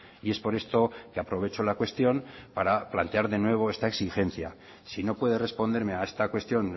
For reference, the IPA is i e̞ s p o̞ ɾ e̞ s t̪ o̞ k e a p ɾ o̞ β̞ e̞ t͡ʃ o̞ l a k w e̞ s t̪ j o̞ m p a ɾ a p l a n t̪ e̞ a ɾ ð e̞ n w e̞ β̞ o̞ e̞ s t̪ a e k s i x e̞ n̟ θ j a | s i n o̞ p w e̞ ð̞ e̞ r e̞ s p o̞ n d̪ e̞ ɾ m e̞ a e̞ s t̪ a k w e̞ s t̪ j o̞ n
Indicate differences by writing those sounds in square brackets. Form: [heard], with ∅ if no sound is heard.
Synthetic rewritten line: i e̞ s p o̞ ɾ e̞ s t̪ o̞ k e a p ɾ o̞ β̞ e̞ t͡ʃ o̞ l a k w e̞ s t̪ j o̞ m p a ɾ a p l a n t̪ e̞ a ɾ ð e̞ n w e̞ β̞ o̞ e̞ s t̪ a e k s i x e̞ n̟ θ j a | s i n o̞ p w e̞ ð̞ e̞ r e̞ s p o̞ n d̪ e̞ ɾ m e̞ a e̞ s t̪ a k w e̞ s t̪ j o̞ n

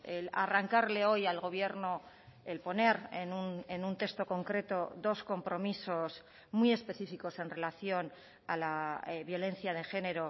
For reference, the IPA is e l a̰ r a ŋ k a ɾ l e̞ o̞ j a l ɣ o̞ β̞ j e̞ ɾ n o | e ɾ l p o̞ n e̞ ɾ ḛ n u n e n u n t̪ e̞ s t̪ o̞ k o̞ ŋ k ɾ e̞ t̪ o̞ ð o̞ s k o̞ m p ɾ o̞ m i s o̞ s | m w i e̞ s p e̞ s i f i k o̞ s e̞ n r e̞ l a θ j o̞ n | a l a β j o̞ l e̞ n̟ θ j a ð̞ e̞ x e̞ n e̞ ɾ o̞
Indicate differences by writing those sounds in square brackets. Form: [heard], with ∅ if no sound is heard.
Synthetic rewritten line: e l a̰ r a ŋ k a ɾ l e̞ o̞ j a l ɣ o̞ β̞ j e̞ ɾ n o | e [∅] l p o̞ n e̞ ɾ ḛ n u n e n u n t̪ e̞ s t̪ o̞ k o̞ ŋ k ɾ e̞ t̪ o̞ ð o̞ s k o̞ m p ɾ o̞ m i s o̞ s | m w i e̞ s p e̞ [θ] i f i k o̞ s e̞ n r e̞ l a θ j o̞ n | a l a β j o̞ l e̞ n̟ θ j a ð̞ e̞ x e̞ n e̞ ɾ o̞

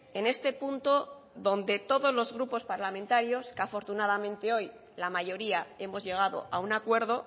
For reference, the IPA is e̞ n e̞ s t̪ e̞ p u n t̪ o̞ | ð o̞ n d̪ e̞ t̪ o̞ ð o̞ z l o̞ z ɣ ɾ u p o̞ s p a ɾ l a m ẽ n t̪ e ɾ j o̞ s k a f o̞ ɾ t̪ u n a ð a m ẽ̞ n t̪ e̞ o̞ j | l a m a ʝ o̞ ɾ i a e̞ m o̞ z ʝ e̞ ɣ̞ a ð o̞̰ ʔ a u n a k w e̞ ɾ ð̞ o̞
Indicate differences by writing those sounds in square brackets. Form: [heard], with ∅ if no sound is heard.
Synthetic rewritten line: e̞ n e̞ s t̪ e̞ p u n t̪ o̞ | ð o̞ n d̪ e̞ t̪ o̞ ð o̞ z l o̞ z ɣ ɾ u p o̞ s p a ɾ l a m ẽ n t̪ [a] ɾ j o̞ s k a f o̞ ɾ t̪ u n a ð a m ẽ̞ n t̪ e̞ o̞ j | l a m a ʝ o̞ ɾ i a e̞ m o̞ z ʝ e̞ ɣ̞ a ð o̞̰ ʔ a u n a k w e̞ ɾ ð̞ o̞

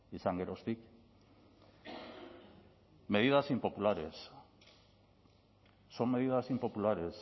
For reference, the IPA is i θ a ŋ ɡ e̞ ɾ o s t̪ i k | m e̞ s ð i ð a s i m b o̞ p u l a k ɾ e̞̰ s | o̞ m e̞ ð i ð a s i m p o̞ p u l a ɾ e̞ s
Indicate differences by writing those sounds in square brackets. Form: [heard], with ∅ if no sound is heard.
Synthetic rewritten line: i [s] a ŋ ɡ e̞ ɾ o s t̪ i k | m e̞ [∅] ð i ð a s i m [p] o̞ p u l a [∅] ɾ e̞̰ s | o̞ m e̞ ð i ð a s i m p o̞ p u l a ɾ e̞ s

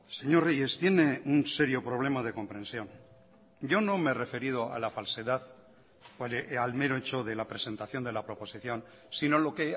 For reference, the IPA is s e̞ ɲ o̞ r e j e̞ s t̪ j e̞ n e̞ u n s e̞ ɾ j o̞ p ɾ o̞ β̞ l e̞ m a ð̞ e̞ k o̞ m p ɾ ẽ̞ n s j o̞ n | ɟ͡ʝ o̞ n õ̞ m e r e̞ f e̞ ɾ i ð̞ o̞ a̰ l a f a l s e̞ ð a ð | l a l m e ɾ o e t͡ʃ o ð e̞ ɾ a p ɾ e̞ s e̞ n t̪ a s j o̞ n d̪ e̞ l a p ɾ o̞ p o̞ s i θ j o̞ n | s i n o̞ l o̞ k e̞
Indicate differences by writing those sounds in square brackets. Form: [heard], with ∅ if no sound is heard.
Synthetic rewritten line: s e̞ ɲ o̞ r e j e̞ s t̪ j e̞ n e̞ u n s e̞ ɾ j o̞ p ɾ o̞ β̞ l e̞ m a ð̞ e̞ k o̞ m p ɾ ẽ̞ n s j o̞ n | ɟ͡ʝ o̞ n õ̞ m e r e̞ f e̞ ɾ i ð̞ o̞ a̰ l a f a l s e̞ ð a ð | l a l m e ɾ o e t͡ʃ o ð e̞ [l] a p ɾ e̞ s e̞ n t̪ a [θ] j o̞ n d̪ e̞ l a p ɾ o̞ p o̞ s i θ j o̞ n | s i n o̞ l o̞ k e̞

